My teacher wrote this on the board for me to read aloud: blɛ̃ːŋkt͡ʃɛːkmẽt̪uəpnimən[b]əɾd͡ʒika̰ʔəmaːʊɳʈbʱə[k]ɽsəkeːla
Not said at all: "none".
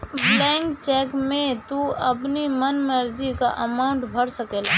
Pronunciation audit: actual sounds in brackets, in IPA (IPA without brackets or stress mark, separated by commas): m, none